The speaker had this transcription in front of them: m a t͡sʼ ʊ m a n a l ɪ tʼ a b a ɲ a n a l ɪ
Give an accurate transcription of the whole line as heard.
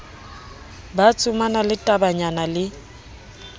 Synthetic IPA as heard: b a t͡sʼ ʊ m a n a l ɪ tʼ a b a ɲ a n a l ɪ